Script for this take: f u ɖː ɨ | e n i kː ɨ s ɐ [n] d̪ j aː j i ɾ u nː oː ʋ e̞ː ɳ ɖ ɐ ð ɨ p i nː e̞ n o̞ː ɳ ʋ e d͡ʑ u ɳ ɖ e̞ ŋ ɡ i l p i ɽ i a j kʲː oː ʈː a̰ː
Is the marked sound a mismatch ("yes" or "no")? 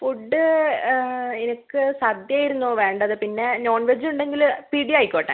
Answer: yes